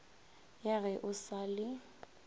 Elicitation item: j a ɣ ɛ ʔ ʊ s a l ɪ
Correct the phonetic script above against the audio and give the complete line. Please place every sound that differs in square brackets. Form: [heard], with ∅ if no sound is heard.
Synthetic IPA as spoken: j a ɣ ɛ ʔ ʊ s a l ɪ